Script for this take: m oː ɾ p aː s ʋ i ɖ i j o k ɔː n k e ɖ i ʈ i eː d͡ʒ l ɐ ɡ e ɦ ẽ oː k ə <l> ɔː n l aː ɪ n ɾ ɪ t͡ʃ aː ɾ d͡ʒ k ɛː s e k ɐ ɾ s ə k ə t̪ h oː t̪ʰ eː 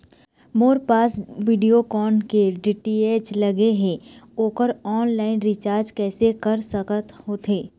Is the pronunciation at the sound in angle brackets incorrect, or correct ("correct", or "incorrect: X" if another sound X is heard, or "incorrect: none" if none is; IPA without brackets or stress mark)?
incorrect: ɾ